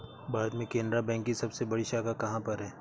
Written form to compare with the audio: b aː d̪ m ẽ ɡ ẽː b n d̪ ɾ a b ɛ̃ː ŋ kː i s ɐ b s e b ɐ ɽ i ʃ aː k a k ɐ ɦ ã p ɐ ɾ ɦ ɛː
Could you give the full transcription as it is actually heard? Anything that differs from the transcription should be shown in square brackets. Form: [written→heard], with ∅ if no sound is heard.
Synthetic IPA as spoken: b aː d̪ m ẽ [ɡ→k] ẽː [b→∅] n d̪ ɾ a b ɛ̃ː ŋ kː i s ɐ b s e b ɐ ɽ i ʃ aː k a k ɐ ɦ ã p ɐ ɾ ɦ ɛː